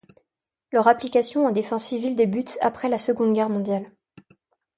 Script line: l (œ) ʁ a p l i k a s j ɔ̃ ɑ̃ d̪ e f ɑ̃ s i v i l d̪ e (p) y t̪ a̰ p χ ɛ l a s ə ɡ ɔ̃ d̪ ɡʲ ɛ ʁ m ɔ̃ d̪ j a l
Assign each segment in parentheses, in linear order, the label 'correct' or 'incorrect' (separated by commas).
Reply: correct, incorrect